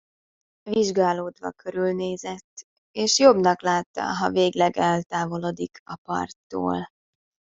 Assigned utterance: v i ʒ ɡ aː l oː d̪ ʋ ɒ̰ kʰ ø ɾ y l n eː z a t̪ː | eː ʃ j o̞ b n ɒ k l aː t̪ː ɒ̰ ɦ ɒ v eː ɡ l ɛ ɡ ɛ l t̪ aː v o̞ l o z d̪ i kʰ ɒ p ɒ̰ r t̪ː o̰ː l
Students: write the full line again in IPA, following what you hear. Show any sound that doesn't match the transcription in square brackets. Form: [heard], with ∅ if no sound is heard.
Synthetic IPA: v i ʒ ɡ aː l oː d̪ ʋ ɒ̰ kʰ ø ɾ y l n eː z [ɛ] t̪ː | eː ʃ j o̞ b n ɒ k l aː t̪ː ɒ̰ ɦ ɒ v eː ɡ l ɛ ɡ ɛ l t̪ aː v o̞ l o [∅] d̪ i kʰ ɒ p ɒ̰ r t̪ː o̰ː l